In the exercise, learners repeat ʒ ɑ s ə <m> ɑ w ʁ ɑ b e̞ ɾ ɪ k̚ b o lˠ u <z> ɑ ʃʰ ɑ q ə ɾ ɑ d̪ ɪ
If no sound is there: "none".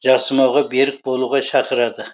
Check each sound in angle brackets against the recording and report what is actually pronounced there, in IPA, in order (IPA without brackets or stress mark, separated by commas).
m, ʁ